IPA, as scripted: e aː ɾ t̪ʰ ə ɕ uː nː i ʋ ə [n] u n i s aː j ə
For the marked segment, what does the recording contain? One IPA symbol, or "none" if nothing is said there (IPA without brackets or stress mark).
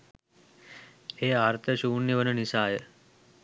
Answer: n